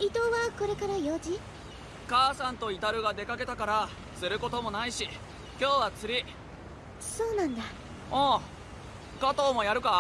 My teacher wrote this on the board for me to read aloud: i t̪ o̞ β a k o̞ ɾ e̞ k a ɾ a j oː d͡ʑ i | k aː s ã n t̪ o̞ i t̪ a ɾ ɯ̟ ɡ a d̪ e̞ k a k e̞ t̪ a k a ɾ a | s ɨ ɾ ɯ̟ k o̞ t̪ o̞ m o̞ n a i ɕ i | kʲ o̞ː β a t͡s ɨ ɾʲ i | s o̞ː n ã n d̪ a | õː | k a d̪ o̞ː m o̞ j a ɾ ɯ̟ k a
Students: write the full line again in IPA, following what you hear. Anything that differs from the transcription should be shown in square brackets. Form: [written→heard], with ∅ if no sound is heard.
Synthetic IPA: i t̪ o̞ β a k o̞ ɾ e̞ k a ɾ a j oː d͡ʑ i | k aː s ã n t̪ o̞ i t̪ a ɾ ɯ̟ ɡ a d̪ e̞ k a k e̞ t̪ a k a ɾ a | s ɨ ɾ ɯ̟ k o̞ t̪ o̞ m o̞ n a i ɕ i | kʲ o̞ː β a t͡s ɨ ɾʲ i | s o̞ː n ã n d̪ a | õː | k a [d̪→t̪] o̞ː m o̞ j a ɾ ɯ̟ k a